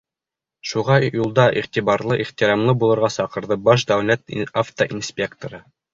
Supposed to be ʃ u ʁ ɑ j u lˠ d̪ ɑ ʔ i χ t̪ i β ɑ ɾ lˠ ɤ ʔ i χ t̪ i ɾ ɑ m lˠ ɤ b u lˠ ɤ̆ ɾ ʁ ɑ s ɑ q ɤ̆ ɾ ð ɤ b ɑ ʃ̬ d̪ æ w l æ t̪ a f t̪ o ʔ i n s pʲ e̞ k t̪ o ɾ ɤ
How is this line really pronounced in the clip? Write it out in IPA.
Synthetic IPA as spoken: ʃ u ʁ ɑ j u lˠ d̪ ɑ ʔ i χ t̪ i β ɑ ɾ lˠ ɤ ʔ i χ t̪ i ɾ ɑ m lˠ ɤ b u lˠ ɤ̆ ɾ ʁ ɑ s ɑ q ɤ̆ ɾ ð ɤ b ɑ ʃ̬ d̪ æ w l æ t̪ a f t̪ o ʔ i n s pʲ e̞ k t̪ o ɾ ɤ